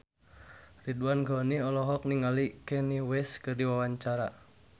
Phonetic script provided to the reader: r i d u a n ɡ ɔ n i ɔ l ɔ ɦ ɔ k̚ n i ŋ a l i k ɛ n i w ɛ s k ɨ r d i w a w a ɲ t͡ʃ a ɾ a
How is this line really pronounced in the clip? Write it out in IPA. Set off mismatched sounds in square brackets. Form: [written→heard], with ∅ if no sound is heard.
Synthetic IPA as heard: r i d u a n ɡ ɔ n i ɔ l ɔ ɦ ɔ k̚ n i ŋ a l i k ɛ n i w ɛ s k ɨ r d i w a w a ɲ t͡ʃ a ɾ a